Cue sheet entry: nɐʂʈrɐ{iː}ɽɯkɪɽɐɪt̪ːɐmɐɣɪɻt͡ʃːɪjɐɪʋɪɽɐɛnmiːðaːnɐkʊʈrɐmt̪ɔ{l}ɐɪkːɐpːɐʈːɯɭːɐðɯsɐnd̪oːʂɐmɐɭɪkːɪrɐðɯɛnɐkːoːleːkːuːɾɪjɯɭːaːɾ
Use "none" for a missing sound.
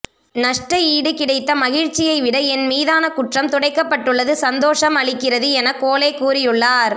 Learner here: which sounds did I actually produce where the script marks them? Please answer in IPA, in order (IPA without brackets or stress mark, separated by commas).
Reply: iː, ɽ